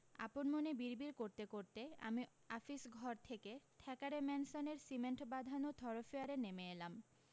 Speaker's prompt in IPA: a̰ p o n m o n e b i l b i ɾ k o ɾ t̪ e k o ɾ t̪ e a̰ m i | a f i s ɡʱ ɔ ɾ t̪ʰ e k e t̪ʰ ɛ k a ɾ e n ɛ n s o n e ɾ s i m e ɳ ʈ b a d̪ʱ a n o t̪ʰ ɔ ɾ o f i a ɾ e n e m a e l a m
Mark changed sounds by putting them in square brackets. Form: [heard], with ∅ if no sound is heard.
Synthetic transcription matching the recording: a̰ p o n m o n e b i [ɾ] b i ɾ k o ɾ t̪ e k o ɾ t̪ e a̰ m i | a f i s ɡʱ ɔ ɾ t̪ʰ e k e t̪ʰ ɛ k a ɾ e [m] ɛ n s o n e ɾ s i m e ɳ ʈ b a d̪ʱ a n o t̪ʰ ɔ ɾ o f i a ɾ e n e m [e] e l a m